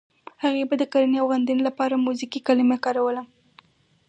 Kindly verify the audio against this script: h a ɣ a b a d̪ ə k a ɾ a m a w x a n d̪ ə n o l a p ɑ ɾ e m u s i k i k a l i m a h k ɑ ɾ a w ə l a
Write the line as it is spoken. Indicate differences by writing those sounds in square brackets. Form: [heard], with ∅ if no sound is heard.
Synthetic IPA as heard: h a ɣ [e] b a d̪ ə k a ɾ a [n] a w [ɣ] a n d̪ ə n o l a p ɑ ɾ [a] m u [z] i k i k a l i m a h k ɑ ɾ a w ə l a